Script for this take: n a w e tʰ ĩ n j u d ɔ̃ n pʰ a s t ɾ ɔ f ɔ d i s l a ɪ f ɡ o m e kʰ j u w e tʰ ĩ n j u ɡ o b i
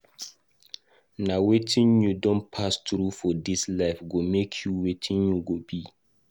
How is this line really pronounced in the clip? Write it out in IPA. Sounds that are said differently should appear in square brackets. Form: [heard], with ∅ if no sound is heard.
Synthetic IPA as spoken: n a w e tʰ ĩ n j u d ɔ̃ n pʰ a s t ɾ [u] f ɔ d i s l a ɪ f ɡ o m e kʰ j u w e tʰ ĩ n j u ɡ o b i

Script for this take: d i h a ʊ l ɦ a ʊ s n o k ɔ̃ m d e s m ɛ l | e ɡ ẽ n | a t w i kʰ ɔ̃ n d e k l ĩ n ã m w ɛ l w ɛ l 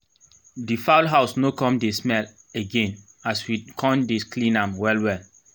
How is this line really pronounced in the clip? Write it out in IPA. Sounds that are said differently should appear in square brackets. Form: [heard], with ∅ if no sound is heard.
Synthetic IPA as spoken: d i [f] a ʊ l ɦ a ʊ s n o k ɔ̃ m d e s m ɛ l | e ɡ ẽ n | a [s] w i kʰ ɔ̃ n d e k l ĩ n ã m w ɛ l w ɛ l

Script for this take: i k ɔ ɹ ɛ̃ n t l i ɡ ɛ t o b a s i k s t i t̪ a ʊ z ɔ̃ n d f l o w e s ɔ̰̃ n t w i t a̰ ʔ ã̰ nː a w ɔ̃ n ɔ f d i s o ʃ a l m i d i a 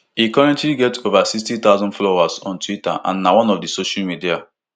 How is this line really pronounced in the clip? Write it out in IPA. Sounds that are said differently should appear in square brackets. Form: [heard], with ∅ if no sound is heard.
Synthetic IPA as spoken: i k ɔ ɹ ɛ̃ n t l i ɡ ɛ t o [v] a s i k s t i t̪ a ʊ z ɔ̃ n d f l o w [a] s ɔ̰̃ n t w i t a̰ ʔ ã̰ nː a w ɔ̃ n ɔ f d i s o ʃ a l m i d i a

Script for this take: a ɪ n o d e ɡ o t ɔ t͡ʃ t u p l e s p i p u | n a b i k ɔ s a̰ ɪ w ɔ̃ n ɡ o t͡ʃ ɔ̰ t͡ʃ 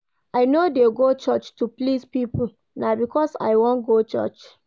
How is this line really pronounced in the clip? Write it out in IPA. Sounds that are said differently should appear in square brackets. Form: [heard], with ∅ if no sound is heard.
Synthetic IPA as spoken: a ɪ n o d e ɡ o [t͡ʃ] ɔ t͡ʃ t u p l [i] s p i p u | n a b i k ɔ s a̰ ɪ w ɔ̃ n ɡ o t͡ʃ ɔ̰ t͡ʃ

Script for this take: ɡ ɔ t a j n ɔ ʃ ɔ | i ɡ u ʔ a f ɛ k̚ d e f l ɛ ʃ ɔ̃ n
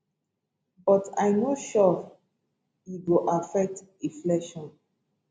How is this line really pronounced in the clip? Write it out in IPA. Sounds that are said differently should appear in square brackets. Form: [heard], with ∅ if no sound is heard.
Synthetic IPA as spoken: [b] ɔ t a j n [o] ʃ ɔ | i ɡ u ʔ a f ɛ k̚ [t] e f l ɛ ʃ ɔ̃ n

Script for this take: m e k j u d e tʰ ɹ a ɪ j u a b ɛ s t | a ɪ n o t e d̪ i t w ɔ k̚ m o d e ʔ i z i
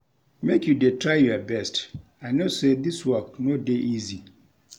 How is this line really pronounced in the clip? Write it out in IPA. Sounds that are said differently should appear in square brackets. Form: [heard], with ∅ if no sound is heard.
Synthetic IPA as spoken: m e k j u d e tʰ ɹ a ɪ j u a b ɛ s t | a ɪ n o [s] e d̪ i [s] w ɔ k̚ [n] o d e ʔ i z i

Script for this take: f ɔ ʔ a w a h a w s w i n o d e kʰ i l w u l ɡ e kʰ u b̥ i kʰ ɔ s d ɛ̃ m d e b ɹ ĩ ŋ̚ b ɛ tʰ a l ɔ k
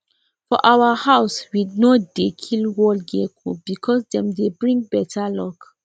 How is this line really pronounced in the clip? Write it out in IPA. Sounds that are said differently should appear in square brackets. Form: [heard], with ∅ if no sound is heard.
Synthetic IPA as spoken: f ɔ ʔ a w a h a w s w i n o d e kʰ i l w [ɔ] l ɡ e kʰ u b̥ i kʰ ɔ s d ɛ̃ m d e b ɹ ĩ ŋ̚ b ɛ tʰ a l ɔ k

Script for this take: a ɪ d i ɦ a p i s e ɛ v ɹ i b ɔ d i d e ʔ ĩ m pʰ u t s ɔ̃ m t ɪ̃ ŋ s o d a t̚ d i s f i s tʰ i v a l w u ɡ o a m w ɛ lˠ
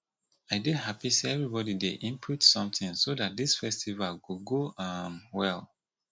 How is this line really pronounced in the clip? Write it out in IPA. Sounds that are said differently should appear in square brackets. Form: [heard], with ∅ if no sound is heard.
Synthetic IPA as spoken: a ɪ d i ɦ a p i s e ɛ v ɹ i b ɔ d i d e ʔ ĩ m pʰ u t s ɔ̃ m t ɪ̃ ŋ s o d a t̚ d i s f [ɛ] s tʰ i v a l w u ɡ o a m w ɛ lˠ

